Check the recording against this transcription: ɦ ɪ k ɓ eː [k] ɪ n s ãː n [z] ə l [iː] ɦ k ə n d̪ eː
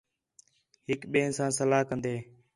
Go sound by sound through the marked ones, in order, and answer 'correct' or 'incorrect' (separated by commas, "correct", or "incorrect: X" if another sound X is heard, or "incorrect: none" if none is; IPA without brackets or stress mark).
incorrect: none, incorrect: s, incorrect: aː